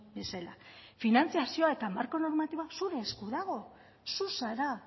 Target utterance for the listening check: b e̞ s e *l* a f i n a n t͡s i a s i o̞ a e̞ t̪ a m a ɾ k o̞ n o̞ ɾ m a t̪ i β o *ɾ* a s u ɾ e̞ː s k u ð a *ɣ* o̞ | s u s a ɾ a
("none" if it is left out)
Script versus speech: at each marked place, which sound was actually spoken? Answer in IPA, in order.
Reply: l, none, ɣ

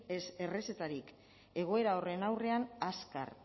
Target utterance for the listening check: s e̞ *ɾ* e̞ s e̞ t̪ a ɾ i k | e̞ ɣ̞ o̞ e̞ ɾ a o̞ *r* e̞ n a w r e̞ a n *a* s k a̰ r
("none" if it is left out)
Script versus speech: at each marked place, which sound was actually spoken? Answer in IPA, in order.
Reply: r, r, a

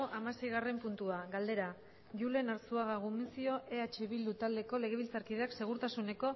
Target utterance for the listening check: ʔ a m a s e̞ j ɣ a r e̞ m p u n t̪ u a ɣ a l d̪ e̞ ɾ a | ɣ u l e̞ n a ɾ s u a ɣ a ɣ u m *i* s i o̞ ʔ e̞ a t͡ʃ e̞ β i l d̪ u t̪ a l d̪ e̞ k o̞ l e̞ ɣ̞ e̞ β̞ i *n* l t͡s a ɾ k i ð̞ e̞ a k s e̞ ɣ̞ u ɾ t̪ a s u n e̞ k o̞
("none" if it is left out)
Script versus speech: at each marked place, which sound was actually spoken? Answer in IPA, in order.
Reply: i, none

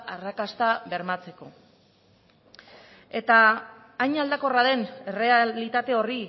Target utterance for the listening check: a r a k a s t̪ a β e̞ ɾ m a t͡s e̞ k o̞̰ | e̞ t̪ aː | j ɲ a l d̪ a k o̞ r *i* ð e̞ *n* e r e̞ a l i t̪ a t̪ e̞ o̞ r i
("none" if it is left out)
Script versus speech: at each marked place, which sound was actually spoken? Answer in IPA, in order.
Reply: a, n

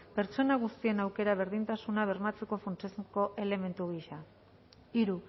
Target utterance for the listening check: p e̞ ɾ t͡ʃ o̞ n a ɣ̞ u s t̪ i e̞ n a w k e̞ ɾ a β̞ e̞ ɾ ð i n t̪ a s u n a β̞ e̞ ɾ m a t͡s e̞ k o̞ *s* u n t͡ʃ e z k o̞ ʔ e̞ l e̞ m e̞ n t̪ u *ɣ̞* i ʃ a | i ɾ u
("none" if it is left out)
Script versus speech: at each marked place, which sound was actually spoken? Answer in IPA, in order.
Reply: f, ɣ̞

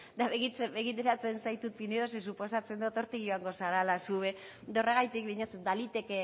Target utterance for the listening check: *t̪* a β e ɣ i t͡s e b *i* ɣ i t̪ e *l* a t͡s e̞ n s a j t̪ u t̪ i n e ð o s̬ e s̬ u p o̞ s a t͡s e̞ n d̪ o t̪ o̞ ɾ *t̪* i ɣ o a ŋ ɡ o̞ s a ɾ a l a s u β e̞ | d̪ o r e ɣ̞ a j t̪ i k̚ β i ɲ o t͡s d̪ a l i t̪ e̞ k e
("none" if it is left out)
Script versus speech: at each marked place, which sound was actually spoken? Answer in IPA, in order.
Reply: d̪, e, ɾ, t̪

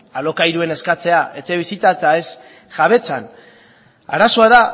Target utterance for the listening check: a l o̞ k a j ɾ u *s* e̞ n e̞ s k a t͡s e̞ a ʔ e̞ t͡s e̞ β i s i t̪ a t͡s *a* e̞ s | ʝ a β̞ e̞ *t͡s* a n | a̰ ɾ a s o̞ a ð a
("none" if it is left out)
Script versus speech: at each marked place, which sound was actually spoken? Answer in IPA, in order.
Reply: none, a, t͡s

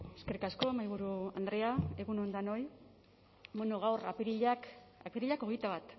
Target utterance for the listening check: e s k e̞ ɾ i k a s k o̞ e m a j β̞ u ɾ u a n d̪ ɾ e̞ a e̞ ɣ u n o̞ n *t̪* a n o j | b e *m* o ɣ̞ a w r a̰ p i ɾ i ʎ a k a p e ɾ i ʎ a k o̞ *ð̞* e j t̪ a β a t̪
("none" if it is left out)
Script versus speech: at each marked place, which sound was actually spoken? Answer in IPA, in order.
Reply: d̪, n, ɣ̞

